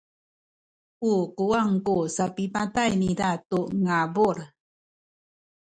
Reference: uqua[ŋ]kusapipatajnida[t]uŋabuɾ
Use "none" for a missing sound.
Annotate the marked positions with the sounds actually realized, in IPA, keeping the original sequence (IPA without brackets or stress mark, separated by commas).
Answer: ŋ, t